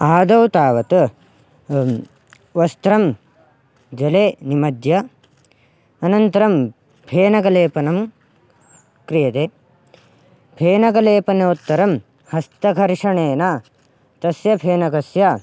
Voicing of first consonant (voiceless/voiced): voiced